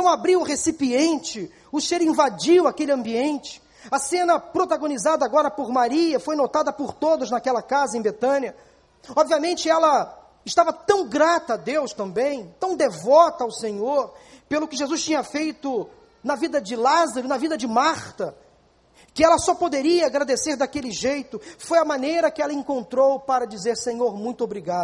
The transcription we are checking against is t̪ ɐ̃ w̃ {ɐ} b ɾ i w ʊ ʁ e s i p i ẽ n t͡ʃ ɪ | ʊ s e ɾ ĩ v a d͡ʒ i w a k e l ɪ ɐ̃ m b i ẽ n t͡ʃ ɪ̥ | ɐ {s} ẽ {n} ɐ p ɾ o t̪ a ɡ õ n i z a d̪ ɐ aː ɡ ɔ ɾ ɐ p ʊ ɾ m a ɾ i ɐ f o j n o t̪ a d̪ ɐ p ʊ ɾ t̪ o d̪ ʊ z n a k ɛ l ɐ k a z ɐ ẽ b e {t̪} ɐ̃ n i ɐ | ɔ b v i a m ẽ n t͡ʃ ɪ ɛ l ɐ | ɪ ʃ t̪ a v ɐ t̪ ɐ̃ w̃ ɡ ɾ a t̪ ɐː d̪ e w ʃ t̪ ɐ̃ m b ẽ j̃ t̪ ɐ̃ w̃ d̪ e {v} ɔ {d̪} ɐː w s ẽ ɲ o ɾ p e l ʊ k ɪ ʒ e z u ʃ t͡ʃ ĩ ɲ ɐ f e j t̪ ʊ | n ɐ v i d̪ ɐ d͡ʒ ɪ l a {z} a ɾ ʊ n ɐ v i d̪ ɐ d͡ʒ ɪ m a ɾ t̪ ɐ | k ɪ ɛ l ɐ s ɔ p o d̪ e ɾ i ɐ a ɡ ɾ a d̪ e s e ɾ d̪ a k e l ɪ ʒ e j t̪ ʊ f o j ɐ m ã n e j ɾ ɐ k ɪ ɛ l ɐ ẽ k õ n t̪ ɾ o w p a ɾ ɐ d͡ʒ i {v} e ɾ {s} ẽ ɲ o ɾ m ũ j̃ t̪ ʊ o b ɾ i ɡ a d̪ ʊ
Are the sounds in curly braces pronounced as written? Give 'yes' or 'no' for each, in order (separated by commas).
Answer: no, yes, yes, yes, yes, no, yes, no, yes